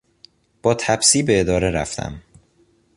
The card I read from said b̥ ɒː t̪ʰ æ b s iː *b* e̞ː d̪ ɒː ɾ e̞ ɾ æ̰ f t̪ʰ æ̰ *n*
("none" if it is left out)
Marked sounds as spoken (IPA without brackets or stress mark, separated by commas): b, m